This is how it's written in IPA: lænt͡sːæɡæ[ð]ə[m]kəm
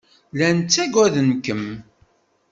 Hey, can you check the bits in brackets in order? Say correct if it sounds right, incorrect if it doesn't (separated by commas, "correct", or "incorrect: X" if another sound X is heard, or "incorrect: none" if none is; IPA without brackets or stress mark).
correct, incorrect: n